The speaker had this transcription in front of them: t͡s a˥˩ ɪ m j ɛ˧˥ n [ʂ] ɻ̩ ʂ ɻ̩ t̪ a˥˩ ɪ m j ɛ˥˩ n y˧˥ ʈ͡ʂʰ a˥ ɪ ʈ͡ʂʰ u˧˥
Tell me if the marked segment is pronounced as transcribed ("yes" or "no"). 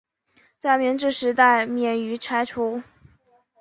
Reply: no